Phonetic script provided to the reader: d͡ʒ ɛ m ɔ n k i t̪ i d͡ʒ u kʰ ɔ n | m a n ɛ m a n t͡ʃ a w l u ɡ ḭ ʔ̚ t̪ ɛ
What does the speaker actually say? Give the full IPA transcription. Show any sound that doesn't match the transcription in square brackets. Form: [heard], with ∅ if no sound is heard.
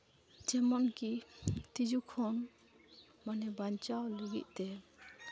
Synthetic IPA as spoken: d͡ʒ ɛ m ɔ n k i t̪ i d͡ʒ u kʰ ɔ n | m a n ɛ [b] a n t͡ʃ a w l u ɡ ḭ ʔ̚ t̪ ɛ

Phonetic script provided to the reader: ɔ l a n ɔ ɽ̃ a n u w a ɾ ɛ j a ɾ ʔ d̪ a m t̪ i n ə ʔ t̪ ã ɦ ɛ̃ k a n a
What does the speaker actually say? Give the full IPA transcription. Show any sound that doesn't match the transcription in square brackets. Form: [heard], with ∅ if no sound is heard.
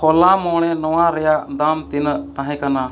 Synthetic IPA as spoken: ɔ l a [m] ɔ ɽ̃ [ɛ] n [ɔ] w a ɾ ɛ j a [∅] ʔ d̪ a m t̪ i n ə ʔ t̪ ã ɦ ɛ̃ k a n a

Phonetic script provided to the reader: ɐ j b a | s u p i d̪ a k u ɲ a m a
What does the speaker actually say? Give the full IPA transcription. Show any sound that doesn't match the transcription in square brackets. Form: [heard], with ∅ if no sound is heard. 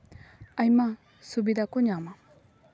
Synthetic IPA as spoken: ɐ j [m] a | s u [b] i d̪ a k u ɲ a m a

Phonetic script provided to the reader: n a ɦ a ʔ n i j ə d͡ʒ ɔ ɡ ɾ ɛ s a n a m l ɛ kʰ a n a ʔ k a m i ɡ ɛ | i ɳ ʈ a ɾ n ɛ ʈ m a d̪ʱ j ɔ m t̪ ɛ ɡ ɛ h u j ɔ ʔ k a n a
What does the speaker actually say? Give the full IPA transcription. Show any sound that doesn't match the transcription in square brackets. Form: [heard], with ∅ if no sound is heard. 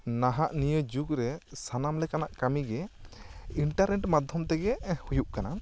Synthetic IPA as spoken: n a ɦ a ʔ n i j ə d͡ʒ [u] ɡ ɾ ɛ s a n a m l ɛ [k] a n a ʔ k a m i ɡ ɛ | i ɳ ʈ a ɾ n ɛ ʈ m a d̪ʱ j ɔ m t̪ ɛ ɡ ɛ h u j [u] ʔ k a n a

